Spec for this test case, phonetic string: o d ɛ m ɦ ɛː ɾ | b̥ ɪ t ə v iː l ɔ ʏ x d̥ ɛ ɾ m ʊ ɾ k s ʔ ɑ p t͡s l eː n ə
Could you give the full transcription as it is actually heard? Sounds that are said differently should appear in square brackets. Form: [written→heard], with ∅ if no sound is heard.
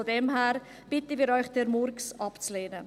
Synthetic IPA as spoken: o d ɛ m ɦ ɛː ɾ | b̥ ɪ t ə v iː [l→ɾ] ɔ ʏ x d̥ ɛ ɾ m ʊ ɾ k s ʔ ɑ p t͡s l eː n ə